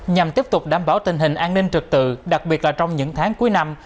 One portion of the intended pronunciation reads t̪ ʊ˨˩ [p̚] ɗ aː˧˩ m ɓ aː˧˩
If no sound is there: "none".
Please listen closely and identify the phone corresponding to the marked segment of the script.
k͡p̚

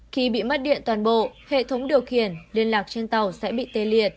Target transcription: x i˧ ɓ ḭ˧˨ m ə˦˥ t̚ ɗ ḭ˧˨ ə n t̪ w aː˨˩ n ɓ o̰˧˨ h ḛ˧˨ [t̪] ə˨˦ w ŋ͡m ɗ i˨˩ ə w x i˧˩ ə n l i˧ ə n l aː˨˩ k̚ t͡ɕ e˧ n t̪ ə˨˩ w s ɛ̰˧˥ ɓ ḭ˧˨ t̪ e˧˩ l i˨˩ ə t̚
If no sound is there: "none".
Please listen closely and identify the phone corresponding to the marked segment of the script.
t̪ʰ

